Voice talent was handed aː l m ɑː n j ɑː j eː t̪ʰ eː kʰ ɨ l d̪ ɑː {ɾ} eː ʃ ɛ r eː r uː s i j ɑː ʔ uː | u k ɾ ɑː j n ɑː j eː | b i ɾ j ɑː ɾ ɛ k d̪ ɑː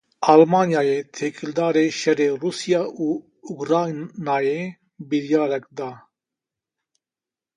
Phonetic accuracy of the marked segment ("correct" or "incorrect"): correct